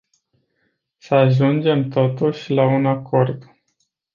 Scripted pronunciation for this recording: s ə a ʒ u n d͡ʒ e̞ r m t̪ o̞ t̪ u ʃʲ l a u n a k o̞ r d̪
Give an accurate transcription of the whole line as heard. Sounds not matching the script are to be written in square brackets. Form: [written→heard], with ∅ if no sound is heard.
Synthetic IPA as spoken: s ə a ʒ u n d͡ʒ e̞ [r→∅] m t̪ o̞ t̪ u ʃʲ l a u n a k o̞ r d̪